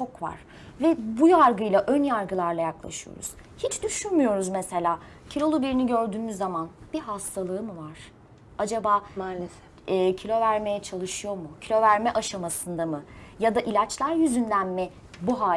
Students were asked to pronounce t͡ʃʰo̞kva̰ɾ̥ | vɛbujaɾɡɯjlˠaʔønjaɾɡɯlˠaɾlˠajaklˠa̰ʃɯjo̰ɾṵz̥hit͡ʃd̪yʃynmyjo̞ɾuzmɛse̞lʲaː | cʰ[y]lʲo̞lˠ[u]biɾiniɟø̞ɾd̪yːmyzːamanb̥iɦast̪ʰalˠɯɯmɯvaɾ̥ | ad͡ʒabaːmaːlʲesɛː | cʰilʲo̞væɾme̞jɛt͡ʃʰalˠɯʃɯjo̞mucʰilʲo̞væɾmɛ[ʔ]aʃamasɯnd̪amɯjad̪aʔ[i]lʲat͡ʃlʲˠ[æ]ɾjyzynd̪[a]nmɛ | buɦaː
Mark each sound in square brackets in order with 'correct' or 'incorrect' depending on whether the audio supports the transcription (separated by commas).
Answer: incorrect, correct, correct, correct, correct, incorrect